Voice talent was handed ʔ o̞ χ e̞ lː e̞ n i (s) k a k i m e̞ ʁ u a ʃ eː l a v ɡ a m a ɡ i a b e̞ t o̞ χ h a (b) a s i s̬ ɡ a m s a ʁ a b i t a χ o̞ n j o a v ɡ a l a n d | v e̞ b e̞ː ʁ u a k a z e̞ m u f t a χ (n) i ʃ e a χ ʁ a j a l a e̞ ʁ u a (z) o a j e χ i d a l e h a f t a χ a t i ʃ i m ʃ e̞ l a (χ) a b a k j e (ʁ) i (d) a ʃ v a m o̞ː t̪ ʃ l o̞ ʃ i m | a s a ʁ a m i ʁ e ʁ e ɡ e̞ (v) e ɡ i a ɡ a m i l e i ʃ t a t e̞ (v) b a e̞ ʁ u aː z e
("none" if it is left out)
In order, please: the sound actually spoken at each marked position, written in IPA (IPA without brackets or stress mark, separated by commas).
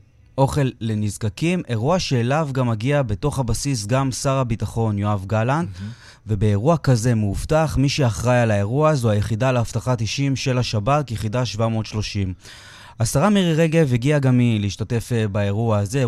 z, b, m, z, ʃ, χ, d, v, f